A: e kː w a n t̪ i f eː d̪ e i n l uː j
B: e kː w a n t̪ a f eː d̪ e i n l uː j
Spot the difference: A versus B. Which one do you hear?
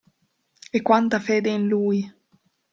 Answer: B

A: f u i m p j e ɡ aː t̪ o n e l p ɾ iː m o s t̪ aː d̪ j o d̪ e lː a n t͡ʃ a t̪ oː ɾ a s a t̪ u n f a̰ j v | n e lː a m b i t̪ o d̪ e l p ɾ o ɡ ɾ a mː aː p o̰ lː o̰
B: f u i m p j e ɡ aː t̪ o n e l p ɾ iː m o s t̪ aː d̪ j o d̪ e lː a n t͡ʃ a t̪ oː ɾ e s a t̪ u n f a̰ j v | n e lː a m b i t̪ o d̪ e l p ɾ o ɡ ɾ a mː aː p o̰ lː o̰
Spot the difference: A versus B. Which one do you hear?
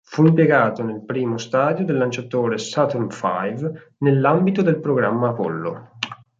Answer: B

